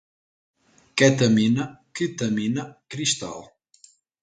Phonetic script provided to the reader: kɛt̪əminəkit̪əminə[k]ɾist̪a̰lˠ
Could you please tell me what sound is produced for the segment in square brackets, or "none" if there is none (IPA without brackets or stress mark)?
k